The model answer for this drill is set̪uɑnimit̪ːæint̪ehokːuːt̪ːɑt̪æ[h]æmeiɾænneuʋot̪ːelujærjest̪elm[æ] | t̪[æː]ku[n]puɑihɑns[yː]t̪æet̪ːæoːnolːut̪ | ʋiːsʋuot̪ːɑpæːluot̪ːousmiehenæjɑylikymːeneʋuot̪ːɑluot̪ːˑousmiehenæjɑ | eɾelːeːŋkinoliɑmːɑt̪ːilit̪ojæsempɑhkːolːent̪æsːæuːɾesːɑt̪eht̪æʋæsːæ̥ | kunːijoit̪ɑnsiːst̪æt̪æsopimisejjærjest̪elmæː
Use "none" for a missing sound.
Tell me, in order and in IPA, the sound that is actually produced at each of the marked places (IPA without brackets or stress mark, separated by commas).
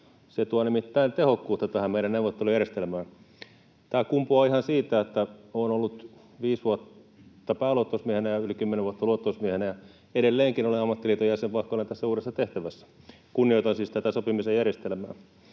h, æː, æː, m, iː